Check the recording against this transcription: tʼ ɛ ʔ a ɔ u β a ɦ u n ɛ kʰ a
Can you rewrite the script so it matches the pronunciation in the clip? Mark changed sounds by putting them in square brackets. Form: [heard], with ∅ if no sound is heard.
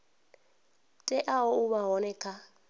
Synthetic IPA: tʼ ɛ ʔ a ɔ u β a ɦ [ɔ] n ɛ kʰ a

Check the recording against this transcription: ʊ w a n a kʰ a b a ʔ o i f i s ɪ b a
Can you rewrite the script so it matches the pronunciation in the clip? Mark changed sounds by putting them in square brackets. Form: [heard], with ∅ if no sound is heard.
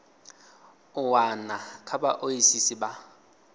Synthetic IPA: ʊ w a n a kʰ a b a ʔ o i [s] i s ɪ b a

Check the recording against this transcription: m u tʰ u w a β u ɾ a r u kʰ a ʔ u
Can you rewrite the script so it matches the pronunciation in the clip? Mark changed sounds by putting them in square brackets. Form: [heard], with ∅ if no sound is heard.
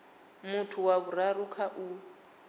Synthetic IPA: m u tʰ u w a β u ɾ a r u kʰ a ʔ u

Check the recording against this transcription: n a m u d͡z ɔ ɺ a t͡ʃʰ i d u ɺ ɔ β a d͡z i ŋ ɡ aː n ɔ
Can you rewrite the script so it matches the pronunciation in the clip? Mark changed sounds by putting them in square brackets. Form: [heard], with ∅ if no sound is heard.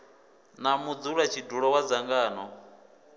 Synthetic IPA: n a m u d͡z [u] ɺ a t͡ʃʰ i d u ɺ ɔ [w] a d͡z [a] ŋ ɡ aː n ɔ

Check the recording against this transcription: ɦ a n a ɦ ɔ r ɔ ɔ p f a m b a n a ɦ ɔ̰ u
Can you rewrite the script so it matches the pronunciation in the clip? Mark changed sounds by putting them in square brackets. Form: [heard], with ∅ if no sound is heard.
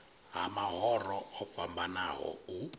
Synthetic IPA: ɦ a [m] a ɦ ɔ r ɔ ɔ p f a m b a n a ɦ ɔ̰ u

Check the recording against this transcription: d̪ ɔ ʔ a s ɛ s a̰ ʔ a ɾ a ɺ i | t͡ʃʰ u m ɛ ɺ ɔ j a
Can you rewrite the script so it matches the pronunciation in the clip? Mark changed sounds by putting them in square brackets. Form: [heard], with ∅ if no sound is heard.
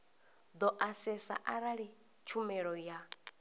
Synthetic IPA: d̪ ɔ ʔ a s ɛ s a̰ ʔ a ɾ a ɺ i | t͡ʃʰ u m ɛ ɺ ɔ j a

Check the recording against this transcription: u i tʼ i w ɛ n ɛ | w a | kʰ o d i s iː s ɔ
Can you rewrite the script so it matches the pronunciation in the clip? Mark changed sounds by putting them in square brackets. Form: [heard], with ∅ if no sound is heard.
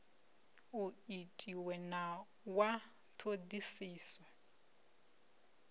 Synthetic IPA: u i tʼ i w ɛ n [a] | w a | [tʰ] o d i s iː s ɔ

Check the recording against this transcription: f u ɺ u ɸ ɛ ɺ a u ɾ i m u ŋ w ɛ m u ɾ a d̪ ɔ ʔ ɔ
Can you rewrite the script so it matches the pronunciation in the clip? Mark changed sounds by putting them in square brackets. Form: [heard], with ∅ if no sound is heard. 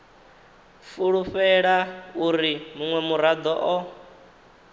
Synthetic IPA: f u ɺ u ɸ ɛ ɺ a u ɾ i m u ŋ w ɛ m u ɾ a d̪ ɔ ʔ ɔ

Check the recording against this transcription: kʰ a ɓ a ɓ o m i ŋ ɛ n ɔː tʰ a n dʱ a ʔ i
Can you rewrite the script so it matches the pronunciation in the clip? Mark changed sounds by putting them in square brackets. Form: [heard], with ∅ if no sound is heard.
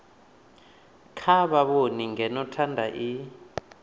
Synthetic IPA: kʰ a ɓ a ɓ o [n] i ŋ ɛ n [ɔ] tʰ a n dʱ a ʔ i

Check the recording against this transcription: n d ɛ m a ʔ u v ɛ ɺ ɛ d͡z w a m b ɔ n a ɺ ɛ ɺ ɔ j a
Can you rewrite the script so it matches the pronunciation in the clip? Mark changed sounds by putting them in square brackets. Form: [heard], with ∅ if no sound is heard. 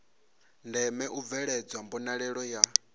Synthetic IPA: n d ɛ m [ɛ] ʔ u v ɛ ɺ ɛ d͡z w a m b ɔ n a ɺ ɛ ɺ ɔ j a

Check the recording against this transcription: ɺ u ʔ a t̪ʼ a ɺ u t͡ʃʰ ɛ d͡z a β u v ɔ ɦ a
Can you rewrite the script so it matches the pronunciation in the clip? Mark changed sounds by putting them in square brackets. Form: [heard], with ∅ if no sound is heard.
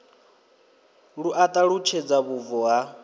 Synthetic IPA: ɺ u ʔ a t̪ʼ a ɺ u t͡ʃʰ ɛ d͡z a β u v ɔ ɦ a

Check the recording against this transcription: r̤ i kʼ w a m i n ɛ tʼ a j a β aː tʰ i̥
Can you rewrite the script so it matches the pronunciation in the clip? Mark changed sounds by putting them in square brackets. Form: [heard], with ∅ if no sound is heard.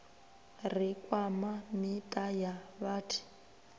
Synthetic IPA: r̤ i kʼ w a m [a] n [i] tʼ a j a β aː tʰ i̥

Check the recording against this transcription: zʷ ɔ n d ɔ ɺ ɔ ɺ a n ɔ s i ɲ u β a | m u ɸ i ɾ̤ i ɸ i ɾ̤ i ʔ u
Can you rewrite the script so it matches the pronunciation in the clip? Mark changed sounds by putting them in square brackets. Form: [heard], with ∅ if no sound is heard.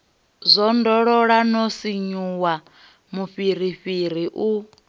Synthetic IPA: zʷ ɔ n d ɔ ɺ ɔ ɺ a n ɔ s i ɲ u [w] a | m u ɸ i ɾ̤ i ɸ i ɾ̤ i ʔ u

